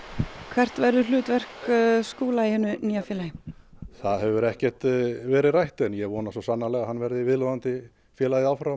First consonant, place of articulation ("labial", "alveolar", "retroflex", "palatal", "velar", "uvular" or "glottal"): velar